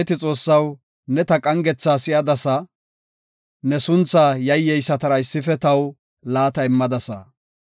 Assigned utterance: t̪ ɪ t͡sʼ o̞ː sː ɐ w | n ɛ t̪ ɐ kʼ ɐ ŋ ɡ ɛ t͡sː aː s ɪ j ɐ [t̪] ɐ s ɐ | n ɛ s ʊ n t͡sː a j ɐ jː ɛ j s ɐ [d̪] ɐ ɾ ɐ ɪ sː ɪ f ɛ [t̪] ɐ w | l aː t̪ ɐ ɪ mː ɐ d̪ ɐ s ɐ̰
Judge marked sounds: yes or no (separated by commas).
no, no, yes